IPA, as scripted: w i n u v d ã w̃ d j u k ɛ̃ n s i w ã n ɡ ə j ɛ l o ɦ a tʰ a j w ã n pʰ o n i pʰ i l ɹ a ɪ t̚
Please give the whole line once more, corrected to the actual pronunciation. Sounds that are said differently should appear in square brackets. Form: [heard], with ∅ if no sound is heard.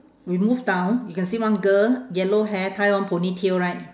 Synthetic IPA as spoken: w i [m] u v d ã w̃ [n] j u k ɛ̃ n s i w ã n ɡ ə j ɛ l o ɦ [ɛ] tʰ a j w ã n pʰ o n i [tʰ] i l ɹ a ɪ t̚